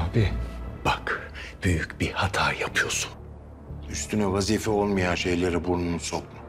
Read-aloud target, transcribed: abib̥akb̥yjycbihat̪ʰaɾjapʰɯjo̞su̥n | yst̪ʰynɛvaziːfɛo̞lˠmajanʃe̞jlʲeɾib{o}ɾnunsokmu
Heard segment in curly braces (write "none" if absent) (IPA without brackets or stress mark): u